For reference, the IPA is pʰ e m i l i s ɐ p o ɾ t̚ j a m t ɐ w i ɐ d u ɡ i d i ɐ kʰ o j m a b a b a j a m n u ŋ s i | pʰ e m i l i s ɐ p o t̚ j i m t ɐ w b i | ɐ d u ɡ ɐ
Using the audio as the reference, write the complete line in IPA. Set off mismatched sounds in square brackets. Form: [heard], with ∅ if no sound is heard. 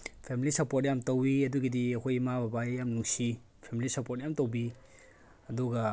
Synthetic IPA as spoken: pʰ e m i l i s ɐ p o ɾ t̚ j a m t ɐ w i ɐ d u ɡ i d i ɐ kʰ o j m a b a b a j a m n u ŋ s i | pʰ e m i l i s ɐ p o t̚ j [a] m t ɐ w b i | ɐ d u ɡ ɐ